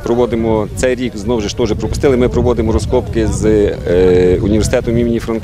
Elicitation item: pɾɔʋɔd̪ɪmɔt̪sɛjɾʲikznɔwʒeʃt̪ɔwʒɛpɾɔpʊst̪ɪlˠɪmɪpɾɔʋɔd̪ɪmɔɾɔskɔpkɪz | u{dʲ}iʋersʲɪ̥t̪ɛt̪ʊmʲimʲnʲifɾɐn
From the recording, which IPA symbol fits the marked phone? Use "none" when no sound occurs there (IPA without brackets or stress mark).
nʲ